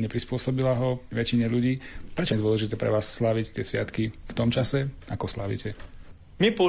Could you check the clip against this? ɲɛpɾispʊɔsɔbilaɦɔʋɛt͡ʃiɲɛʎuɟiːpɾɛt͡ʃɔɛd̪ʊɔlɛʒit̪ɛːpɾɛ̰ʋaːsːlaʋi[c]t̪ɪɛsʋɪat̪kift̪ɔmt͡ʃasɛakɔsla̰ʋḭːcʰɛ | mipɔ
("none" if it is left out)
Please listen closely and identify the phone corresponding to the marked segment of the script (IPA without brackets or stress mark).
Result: c